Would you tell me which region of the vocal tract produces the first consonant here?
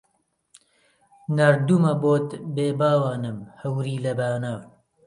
tongue tip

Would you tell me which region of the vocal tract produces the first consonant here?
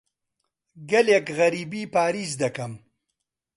velum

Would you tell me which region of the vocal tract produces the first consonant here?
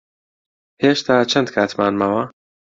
throat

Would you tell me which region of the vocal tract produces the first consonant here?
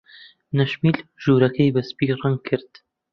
tongue tip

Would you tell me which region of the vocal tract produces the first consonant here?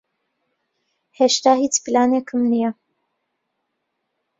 throat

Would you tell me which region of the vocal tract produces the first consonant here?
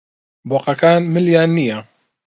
lips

